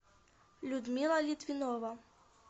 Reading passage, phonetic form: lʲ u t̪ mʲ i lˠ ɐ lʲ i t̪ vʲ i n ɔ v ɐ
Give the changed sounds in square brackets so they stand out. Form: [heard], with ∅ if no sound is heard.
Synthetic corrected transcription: lʲ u [d̪] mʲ i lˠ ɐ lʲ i t̪ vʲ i n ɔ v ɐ